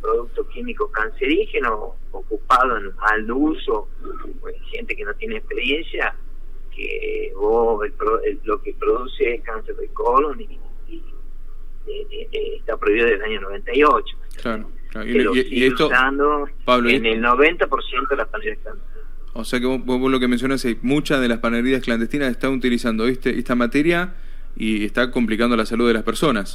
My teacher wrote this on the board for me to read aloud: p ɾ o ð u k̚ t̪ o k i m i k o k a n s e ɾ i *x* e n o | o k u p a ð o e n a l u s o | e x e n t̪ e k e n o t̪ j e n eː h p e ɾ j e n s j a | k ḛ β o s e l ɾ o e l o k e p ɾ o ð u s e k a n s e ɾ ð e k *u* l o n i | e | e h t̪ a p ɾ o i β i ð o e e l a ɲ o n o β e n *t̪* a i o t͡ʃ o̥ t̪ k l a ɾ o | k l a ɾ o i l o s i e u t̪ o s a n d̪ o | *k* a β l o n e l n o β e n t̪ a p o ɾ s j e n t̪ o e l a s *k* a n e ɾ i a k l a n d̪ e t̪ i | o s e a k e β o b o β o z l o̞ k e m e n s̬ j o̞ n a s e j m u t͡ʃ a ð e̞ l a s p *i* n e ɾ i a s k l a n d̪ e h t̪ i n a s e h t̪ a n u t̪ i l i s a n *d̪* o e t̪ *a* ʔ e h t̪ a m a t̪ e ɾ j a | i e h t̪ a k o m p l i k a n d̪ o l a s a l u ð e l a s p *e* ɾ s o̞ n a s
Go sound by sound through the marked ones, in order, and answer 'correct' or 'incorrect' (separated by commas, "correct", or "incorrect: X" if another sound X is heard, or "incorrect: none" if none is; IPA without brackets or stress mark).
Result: correct, incorrect: o, correct, incorrect: p, incorrect: p, incorrect: a, correct, incorrect: e, correct